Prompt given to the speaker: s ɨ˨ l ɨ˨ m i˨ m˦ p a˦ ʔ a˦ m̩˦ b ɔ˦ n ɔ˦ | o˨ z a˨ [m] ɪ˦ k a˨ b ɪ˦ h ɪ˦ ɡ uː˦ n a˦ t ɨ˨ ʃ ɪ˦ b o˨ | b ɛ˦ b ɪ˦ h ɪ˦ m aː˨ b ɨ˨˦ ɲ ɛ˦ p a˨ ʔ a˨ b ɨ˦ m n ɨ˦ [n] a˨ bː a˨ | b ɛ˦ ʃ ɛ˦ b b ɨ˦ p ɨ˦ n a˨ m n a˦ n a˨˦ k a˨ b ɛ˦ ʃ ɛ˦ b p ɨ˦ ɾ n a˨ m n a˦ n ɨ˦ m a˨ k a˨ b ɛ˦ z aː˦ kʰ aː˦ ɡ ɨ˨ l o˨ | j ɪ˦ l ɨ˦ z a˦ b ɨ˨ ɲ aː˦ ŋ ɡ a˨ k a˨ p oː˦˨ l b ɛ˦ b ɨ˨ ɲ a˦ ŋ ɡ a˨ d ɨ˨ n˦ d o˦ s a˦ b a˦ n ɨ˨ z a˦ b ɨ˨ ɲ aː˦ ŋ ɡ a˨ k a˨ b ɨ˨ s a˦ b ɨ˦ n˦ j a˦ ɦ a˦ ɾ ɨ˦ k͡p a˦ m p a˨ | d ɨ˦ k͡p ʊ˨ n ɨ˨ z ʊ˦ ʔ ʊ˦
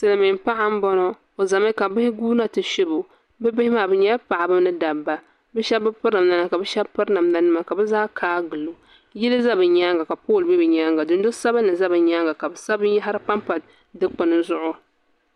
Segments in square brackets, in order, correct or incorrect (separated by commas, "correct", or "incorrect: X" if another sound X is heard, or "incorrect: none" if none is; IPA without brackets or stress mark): correct, incorrect: d